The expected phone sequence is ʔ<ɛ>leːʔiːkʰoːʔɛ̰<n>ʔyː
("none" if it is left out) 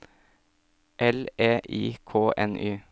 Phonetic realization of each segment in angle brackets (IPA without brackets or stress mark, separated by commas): ɛ, n